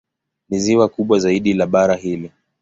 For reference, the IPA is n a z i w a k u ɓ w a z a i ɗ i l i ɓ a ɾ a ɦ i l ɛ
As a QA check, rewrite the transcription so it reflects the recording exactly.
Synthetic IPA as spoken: n i z i w a k u ɓ w a z a i ɗ i l a ɓ a ɾ a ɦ i l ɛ